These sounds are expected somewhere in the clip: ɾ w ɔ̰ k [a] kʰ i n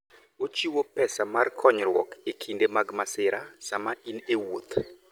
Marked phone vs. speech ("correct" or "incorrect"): incorrect